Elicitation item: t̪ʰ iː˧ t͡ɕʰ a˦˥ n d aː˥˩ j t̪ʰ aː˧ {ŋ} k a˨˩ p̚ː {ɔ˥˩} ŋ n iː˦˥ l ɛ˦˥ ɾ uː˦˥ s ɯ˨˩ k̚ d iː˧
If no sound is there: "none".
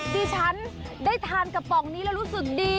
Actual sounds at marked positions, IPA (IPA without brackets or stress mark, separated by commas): n, ɔ˨˩